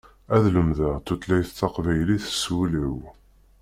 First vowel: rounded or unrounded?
unrounded